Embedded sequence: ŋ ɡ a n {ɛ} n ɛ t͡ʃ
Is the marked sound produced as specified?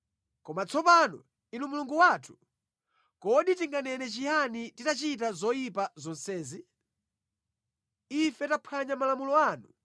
yes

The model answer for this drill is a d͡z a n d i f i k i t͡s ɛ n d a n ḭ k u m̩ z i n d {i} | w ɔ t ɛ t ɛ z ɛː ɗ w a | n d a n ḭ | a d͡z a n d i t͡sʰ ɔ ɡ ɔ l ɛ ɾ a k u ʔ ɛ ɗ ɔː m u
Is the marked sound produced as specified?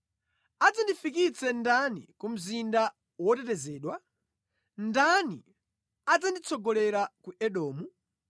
no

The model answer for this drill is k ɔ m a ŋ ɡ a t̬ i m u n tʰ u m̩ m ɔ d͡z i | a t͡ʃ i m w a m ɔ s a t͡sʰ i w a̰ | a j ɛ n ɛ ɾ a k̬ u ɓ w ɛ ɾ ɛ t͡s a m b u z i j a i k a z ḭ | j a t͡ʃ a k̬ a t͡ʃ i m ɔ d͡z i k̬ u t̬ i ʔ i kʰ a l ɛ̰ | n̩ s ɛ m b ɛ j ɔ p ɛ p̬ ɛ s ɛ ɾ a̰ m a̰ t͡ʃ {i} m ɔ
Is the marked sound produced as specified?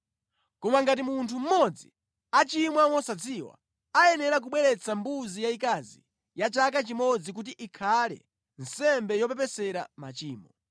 no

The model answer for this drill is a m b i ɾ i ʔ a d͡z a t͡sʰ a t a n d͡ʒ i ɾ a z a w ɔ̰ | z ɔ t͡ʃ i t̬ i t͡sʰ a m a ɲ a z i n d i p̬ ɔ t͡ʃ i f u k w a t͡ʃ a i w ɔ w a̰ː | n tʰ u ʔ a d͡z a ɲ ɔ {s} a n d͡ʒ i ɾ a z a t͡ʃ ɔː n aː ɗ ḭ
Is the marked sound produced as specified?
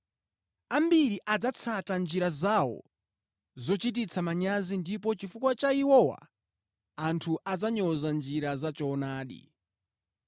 no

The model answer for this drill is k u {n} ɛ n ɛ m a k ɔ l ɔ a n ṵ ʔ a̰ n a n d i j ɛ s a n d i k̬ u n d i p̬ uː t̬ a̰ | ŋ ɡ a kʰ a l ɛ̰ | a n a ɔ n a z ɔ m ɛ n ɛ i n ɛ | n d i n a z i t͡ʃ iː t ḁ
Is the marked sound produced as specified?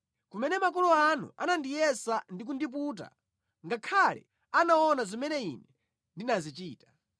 no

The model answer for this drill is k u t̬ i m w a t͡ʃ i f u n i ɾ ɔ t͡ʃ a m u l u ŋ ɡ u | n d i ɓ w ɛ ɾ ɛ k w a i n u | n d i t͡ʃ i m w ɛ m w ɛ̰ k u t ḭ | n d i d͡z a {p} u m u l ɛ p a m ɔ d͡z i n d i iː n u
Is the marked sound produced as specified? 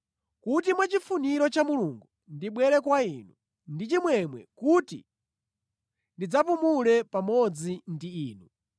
yes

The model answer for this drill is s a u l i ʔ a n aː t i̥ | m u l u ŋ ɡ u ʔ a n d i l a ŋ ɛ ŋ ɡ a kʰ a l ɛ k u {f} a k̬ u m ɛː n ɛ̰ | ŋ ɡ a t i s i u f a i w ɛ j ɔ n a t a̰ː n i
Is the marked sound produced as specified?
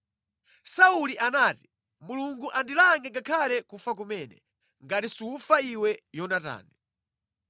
yes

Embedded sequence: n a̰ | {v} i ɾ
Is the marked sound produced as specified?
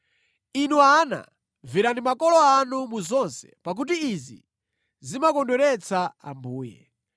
yes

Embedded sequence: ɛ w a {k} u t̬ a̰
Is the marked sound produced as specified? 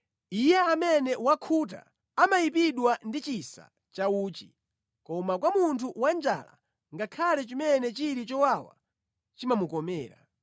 no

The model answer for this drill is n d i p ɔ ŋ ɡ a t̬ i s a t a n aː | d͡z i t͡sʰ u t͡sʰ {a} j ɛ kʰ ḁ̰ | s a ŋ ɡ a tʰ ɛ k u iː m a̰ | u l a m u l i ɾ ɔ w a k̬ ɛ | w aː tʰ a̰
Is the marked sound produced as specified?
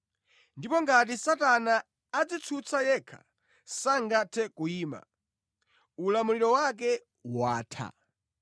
yes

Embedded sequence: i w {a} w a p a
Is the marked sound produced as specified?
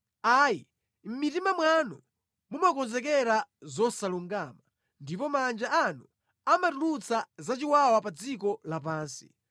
yes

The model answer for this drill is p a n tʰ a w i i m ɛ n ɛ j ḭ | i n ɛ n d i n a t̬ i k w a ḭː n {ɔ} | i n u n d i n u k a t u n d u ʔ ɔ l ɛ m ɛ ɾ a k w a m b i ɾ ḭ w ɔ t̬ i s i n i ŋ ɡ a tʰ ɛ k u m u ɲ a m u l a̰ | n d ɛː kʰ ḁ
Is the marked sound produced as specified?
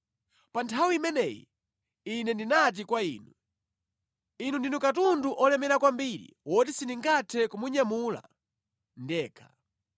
no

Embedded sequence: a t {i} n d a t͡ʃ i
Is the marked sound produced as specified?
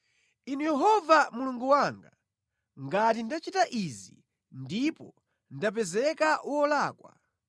yes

